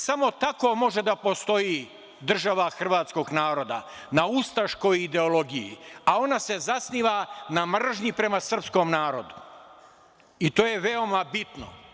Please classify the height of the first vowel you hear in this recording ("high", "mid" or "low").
low